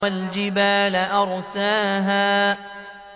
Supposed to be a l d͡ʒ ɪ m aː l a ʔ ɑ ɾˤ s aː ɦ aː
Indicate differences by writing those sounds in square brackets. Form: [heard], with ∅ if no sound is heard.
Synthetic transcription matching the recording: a l d͡ʒ ɪ [b] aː l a ʔ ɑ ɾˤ s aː ɦ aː